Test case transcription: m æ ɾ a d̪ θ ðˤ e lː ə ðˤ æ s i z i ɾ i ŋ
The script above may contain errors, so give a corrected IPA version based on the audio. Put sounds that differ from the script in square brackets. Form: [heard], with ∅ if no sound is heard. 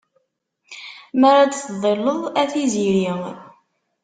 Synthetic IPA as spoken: m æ ɾ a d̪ θ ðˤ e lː ə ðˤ æ [θ] i z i ɾ i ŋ